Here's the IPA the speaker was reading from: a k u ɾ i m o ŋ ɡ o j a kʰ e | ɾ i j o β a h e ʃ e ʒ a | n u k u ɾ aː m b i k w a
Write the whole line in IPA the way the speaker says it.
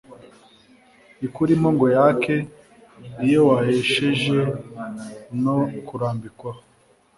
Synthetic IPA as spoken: i k u ɾ i m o ŋ ɡ o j a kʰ e | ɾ i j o w a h e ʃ e ʒ e | n o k u ɾ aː m b i k w a